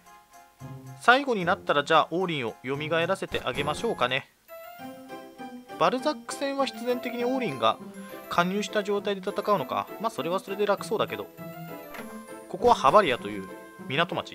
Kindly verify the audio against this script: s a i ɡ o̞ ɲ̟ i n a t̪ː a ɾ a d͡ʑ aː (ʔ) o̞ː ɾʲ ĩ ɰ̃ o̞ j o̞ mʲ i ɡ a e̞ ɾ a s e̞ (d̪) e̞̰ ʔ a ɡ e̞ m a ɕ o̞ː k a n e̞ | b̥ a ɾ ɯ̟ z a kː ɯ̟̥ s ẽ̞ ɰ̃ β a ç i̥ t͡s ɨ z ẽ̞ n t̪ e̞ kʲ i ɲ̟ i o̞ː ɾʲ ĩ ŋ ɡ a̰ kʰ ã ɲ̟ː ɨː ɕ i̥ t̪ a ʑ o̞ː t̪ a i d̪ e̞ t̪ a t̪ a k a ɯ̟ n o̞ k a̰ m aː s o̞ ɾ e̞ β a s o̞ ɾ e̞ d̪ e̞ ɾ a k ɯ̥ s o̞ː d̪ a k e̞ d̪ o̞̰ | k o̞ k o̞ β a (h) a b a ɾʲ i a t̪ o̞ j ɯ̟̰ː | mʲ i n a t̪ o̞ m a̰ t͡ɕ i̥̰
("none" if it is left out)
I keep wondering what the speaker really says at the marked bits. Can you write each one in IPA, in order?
ʔ, t̪, h

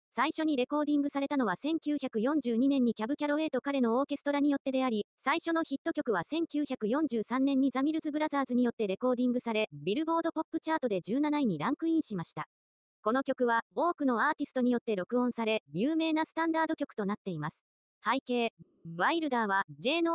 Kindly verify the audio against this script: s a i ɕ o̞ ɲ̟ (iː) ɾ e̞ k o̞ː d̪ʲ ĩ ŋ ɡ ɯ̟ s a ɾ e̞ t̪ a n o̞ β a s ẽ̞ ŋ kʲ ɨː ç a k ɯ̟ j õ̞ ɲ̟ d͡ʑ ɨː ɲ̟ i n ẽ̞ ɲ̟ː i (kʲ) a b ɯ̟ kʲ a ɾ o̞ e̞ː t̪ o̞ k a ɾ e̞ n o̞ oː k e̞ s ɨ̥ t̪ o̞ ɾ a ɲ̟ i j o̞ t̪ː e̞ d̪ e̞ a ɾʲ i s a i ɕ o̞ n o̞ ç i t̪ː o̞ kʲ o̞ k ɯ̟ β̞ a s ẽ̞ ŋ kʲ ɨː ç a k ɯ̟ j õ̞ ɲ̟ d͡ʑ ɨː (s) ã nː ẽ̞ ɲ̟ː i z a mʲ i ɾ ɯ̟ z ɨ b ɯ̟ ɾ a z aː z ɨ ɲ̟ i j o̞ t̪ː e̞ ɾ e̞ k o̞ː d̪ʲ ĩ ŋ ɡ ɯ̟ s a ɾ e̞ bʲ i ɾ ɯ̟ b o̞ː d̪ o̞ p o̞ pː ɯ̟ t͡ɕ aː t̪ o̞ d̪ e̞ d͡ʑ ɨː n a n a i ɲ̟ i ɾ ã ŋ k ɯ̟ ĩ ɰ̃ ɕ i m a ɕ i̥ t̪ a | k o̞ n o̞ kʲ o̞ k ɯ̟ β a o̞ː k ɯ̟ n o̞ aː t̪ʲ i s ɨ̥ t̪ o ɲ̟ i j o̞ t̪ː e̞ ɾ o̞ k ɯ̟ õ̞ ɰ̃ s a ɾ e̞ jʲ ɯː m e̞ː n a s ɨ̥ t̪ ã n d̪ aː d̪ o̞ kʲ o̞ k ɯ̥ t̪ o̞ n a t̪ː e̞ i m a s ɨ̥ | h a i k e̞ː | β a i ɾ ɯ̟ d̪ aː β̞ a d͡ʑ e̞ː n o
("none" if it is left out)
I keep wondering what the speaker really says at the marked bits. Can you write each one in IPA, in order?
i, kʲ, s

